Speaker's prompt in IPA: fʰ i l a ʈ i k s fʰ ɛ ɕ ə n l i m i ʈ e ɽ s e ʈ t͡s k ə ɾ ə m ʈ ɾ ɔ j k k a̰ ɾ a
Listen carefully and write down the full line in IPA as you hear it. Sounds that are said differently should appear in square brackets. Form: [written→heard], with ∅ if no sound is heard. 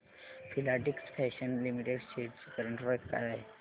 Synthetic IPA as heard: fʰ i l a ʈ i k s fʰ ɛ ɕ ə n l i m i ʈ e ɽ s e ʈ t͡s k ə ɾ ə [m→ɳ] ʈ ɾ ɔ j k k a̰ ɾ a